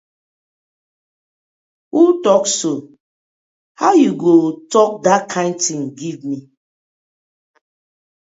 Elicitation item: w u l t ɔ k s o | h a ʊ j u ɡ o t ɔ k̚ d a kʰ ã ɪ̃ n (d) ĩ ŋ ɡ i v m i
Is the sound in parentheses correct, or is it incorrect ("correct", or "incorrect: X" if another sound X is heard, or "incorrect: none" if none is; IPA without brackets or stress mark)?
incorrect: t